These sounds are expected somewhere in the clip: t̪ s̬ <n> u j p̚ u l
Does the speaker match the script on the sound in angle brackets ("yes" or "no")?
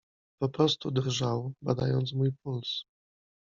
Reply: no